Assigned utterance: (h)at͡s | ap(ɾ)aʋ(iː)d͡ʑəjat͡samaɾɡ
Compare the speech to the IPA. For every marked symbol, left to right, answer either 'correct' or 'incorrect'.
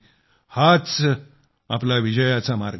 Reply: correct, incorrect: l, incorrect: i

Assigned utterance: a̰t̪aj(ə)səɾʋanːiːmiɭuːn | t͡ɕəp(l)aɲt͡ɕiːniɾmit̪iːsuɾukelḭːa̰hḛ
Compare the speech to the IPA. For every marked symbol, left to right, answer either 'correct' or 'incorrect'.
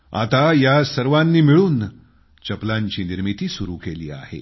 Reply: incorrect: a, correct

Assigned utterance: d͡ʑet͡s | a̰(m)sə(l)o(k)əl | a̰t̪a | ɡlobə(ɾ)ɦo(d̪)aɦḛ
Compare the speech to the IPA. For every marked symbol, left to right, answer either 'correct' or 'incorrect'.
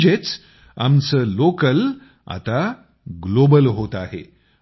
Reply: correct, correct, correct, incorrect: l, incorrect: t̪

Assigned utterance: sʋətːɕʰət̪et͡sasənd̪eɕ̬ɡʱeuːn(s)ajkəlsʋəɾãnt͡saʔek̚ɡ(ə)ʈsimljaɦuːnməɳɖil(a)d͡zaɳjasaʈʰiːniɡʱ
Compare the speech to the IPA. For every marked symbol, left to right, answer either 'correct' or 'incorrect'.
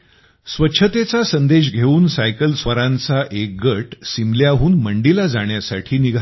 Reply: correct, correct, correct

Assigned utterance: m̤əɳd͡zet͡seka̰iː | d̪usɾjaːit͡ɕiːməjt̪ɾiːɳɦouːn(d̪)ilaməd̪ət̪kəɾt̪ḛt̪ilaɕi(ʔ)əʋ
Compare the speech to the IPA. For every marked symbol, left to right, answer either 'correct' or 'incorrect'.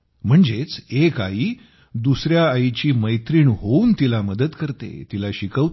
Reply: incorrect: t̪, incorrect: k

